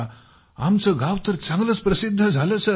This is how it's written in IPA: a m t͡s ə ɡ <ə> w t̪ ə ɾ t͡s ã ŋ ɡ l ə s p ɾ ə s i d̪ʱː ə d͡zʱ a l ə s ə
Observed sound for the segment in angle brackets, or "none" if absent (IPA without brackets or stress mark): a